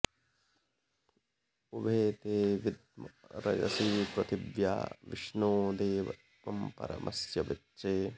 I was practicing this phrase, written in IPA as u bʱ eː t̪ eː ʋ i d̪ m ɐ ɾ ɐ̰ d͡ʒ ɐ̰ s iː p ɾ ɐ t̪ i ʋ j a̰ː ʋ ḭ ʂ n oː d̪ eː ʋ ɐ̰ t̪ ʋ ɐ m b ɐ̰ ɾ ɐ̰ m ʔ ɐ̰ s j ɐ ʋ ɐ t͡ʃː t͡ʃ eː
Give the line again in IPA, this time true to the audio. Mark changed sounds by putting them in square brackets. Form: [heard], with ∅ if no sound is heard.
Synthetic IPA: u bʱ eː t̪ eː ʋ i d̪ m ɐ ɾ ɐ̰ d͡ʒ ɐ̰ s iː p ɾ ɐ t̪ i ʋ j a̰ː ʋ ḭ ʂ n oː d̪ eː ʋ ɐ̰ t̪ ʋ ɐ m [p] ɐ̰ ɾ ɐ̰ m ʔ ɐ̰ s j ɐ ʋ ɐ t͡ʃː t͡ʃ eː